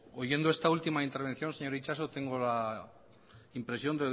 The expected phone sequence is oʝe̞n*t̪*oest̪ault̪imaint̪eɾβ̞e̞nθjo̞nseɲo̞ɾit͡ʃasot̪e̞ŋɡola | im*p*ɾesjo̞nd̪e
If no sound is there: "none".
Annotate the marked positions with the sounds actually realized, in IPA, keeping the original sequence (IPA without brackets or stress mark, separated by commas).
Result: d̪, p